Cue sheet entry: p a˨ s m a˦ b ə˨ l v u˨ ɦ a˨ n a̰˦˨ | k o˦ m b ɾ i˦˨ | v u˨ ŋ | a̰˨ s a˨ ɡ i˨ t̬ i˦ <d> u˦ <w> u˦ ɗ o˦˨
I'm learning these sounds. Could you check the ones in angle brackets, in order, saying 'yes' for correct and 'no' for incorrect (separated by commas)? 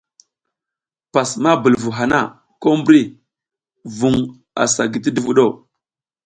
yes, no